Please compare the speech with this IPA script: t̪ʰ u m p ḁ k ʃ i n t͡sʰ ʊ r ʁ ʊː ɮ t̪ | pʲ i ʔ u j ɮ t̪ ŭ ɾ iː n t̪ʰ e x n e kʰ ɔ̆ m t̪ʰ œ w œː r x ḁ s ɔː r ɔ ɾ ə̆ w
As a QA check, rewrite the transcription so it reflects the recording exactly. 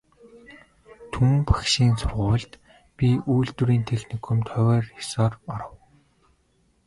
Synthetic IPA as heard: t̪ʰ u m p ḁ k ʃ iː n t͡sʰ ʊ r ʁ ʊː ɮ t̪ | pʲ i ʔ u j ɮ t̪ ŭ ɾ iː n t̪ʰ e x n i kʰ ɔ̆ m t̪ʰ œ w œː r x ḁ s ɔː r ɔ ɾ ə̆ w